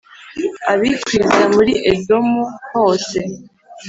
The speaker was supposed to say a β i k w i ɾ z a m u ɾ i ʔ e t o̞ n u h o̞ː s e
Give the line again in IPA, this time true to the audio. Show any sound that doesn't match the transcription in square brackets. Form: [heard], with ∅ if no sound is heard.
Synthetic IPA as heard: a β i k w i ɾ z a m u ɾ i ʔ e [d] o̞ [m] u h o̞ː s e